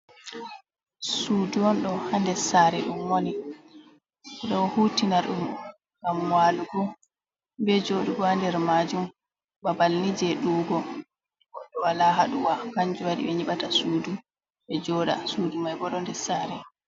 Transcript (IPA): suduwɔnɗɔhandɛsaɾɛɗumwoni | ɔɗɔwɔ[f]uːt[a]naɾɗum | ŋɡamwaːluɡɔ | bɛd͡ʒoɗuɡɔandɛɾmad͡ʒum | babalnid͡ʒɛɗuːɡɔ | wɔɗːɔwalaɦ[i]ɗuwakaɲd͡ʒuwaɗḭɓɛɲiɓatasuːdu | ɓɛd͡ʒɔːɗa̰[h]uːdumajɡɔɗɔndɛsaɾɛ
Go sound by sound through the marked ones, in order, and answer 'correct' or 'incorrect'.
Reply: incorrect, incorrect, incorrect, incorrect

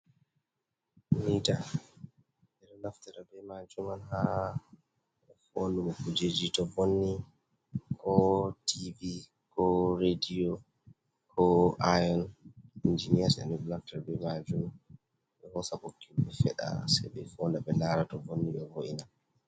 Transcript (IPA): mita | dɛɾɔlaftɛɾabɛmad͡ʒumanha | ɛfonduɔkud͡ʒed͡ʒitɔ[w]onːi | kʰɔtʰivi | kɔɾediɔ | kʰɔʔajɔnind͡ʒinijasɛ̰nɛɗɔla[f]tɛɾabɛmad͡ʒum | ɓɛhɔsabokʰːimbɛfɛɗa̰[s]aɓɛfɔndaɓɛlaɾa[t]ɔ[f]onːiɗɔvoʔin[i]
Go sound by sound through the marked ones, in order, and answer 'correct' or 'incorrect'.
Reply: incorrect, correct, correct, correct, incorrect, incorrect

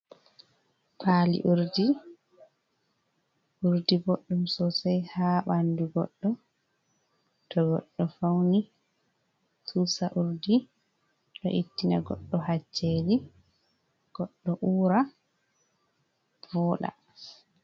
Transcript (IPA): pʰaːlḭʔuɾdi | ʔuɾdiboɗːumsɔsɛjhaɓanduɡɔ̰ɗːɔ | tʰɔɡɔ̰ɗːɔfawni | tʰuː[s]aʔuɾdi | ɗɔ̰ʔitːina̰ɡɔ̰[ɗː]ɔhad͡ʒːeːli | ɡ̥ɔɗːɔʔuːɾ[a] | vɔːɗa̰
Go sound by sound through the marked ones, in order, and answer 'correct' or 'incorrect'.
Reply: correct, correct, correct

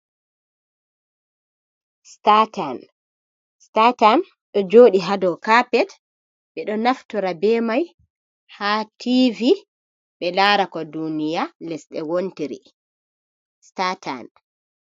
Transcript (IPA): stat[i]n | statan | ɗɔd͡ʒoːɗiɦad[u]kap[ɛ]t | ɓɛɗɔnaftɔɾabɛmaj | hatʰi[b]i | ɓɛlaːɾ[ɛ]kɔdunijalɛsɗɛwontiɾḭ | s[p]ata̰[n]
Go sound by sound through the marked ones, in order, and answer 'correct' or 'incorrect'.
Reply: incorrect, incorrect, correct, incorrect, incorrect, incorrect, correct

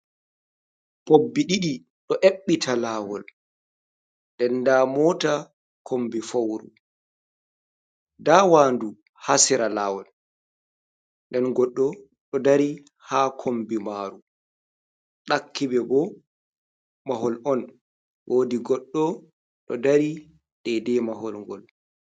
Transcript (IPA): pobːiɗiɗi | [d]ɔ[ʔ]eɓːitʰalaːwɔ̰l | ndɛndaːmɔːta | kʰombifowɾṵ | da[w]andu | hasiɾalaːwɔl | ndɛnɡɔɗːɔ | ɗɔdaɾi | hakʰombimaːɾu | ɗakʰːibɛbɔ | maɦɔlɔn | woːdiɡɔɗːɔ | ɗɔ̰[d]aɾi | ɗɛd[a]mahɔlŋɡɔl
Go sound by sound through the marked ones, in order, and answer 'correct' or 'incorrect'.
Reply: incorrect, correct, correct, correct, incorrect

